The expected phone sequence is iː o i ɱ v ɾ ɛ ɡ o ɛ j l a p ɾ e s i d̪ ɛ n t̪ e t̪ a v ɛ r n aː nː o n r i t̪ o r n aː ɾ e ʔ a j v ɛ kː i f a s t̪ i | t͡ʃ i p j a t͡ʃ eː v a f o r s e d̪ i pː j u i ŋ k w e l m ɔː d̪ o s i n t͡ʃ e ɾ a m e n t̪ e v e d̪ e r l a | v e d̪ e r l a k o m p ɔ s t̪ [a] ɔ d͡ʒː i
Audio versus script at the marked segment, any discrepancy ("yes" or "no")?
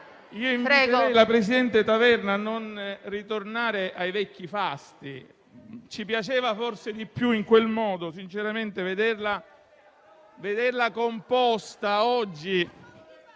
no